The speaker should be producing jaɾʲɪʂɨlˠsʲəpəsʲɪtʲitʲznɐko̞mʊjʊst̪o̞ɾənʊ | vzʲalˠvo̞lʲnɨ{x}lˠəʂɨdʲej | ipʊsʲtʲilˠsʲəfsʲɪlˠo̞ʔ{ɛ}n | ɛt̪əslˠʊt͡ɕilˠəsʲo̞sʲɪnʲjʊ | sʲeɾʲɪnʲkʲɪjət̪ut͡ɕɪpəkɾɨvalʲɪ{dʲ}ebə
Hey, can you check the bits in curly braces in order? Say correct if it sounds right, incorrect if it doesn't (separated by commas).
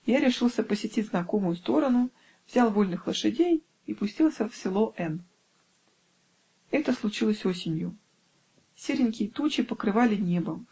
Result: correct, correct, incorrect